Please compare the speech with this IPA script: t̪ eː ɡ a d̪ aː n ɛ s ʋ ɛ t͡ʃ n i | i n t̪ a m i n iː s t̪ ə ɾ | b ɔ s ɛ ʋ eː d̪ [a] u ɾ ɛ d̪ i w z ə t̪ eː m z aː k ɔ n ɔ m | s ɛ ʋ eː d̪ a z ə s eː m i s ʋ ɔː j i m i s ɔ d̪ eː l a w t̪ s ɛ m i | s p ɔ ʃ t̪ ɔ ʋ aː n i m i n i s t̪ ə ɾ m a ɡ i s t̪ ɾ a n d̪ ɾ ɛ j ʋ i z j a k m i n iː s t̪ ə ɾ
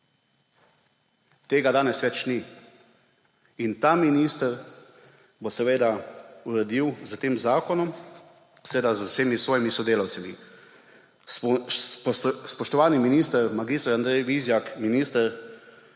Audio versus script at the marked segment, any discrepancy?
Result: no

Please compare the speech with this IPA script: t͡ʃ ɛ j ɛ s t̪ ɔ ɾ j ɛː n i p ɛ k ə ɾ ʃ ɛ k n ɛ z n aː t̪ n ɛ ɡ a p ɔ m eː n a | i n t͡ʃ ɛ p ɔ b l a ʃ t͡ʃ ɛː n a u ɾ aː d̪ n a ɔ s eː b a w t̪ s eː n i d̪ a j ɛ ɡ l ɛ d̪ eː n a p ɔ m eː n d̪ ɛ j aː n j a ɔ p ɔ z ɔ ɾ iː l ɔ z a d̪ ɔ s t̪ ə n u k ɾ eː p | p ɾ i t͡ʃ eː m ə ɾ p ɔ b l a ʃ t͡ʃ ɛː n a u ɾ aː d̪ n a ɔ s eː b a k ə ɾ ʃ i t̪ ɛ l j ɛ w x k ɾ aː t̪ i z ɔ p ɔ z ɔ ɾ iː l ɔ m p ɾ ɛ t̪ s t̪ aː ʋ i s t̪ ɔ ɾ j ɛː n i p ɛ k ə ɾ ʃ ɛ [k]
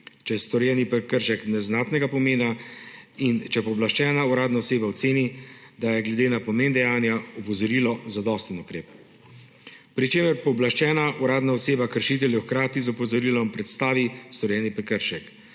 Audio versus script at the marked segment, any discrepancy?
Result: no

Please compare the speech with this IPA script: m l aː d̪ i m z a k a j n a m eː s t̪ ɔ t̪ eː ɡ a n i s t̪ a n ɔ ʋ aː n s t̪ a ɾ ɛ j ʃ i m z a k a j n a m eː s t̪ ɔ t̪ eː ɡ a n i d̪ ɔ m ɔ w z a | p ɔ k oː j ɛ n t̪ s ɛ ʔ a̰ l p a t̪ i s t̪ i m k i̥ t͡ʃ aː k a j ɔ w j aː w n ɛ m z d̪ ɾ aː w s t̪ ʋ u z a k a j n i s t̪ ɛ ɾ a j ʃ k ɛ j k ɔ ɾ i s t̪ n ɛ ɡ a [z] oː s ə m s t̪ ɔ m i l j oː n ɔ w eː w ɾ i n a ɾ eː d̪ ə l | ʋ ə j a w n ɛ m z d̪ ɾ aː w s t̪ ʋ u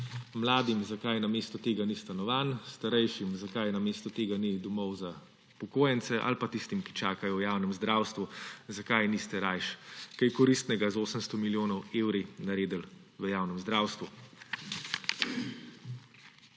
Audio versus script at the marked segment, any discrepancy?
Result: no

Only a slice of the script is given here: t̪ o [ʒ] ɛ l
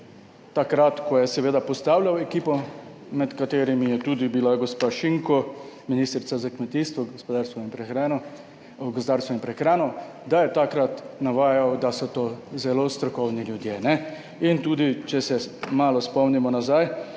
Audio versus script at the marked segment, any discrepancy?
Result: yes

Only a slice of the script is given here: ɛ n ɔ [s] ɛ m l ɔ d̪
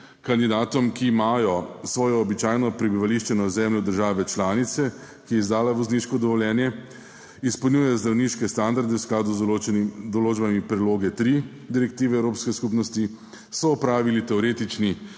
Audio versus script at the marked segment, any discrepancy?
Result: yes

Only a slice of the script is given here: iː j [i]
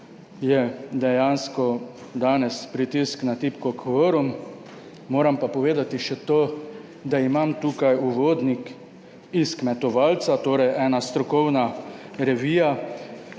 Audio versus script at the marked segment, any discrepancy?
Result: yes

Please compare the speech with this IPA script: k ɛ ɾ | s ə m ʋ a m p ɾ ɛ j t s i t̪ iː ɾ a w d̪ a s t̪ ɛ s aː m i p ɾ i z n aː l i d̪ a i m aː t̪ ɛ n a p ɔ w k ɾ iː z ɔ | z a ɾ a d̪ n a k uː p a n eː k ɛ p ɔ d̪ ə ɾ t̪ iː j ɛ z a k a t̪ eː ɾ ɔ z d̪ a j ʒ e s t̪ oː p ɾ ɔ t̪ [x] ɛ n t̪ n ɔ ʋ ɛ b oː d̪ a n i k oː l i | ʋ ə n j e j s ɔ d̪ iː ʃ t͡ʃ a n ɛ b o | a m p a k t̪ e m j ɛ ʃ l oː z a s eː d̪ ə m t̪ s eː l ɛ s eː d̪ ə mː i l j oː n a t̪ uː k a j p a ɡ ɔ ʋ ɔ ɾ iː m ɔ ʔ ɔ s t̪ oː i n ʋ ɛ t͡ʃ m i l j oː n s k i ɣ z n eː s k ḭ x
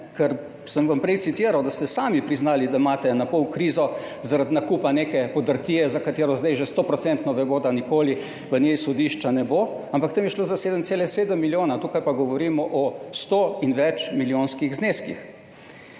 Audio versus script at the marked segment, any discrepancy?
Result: yes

